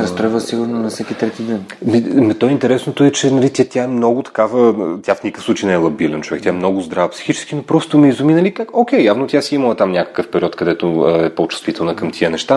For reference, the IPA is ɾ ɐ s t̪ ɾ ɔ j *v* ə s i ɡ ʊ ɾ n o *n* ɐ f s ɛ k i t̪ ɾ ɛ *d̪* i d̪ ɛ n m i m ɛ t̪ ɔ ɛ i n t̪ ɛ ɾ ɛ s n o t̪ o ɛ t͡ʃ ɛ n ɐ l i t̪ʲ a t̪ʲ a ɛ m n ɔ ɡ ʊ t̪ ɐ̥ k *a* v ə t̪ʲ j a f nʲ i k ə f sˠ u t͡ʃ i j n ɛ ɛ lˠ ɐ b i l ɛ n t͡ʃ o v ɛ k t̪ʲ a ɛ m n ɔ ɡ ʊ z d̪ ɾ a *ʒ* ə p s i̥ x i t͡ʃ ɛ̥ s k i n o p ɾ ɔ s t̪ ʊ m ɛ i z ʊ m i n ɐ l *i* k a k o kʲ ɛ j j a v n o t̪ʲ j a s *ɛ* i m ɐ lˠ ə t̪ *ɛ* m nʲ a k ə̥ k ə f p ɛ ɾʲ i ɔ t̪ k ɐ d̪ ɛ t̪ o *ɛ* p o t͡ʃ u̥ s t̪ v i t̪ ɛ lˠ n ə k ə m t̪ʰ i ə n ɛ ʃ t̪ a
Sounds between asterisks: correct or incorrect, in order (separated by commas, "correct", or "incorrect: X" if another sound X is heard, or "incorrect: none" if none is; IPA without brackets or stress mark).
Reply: correct, correct, incorrect: t̪, correct, incorrect: v, correct, incorrect: i, incorrect: a, correct